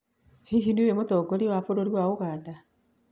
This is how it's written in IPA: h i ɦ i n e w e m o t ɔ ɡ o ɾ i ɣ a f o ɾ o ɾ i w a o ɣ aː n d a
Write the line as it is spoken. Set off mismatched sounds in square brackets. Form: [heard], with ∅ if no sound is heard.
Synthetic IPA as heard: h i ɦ i n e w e m o t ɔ ɡ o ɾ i [w] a f o ɾ o ɾ i w a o ɣ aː n d a